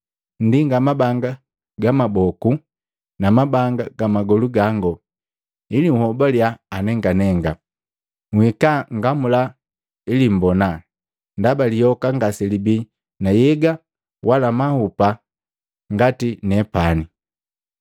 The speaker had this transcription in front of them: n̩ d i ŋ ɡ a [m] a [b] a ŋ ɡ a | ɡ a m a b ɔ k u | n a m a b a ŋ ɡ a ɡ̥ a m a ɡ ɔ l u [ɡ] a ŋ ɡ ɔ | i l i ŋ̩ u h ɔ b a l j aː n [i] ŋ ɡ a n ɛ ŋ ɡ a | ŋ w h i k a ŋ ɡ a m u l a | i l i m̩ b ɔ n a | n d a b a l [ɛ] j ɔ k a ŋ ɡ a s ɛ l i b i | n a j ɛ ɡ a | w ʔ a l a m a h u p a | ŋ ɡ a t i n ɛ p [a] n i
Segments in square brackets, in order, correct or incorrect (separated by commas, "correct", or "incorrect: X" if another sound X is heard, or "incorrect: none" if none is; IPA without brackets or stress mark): correct, correct, correct, incorrect: ɛ, incorrect: i, correct